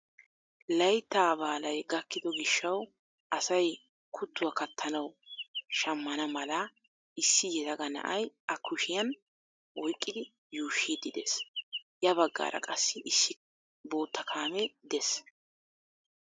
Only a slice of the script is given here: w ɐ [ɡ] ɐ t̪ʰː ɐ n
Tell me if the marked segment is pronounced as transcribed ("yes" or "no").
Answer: no